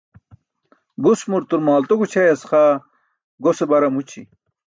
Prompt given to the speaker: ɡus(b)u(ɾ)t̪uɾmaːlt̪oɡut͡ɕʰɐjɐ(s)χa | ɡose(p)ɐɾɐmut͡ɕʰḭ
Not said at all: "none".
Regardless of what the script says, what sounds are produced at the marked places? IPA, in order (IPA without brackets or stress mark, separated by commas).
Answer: m, ɾ, s, b